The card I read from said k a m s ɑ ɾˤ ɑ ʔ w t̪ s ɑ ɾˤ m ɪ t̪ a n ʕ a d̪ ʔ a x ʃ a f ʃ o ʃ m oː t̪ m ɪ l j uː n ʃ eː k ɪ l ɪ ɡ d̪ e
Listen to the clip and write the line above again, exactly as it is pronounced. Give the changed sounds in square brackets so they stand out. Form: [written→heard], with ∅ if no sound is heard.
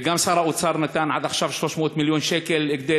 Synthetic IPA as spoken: [k→ɡ] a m s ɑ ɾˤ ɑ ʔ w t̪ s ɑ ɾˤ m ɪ t̪ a n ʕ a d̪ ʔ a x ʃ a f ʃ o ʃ m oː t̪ m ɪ l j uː n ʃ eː k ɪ l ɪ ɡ d̪ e

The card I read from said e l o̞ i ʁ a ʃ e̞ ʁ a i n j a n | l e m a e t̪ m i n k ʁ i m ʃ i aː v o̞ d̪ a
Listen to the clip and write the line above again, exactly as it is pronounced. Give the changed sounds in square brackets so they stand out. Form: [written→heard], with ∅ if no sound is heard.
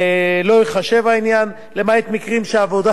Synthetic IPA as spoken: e l o̞ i [ʁ→χ] a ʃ e̞ [ʁ→v] a i n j a n | l e m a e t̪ m i [n→∅] k ʁ i m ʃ [i→e] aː v o̞ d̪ a

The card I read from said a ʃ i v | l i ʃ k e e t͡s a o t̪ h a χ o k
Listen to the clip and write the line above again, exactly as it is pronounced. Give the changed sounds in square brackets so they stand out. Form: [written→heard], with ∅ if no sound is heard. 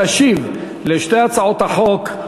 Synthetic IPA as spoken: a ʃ i v | l [i→e] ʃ [k→t] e [e→a] t͡s a o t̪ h a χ o k

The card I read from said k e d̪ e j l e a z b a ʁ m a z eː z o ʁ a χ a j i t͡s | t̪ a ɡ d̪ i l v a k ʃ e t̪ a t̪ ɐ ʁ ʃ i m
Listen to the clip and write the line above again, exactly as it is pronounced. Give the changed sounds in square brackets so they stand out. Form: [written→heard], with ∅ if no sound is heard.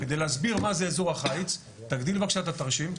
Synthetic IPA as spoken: k e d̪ e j l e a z b [a→i] ʁ m a z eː z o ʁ a χ a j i t͡s | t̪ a ɡ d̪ i l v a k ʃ [e→a] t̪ a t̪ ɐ ʁ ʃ i m

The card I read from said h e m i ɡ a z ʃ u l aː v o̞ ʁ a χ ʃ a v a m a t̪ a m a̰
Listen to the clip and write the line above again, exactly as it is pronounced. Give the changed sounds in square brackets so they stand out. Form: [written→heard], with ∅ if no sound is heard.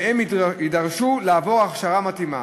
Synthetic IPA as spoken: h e m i [ɡ→d] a [z→ʁ] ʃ u l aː v o̞ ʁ a χ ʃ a [v→ʁ] a m a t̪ [a→i] m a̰

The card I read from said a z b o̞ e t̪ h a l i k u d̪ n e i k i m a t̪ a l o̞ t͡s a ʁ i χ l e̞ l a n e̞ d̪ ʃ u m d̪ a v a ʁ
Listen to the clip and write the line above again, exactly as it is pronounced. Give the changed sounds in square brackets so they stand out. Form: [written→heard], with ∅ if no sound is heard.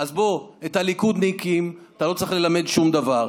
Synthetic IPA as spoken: a z b o̞ e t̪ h a l i k u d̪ n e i k i m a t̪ a l o̞ t͡s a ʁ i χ l e̞ l a [n→m] e̞ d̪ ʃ u m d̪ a v a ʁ

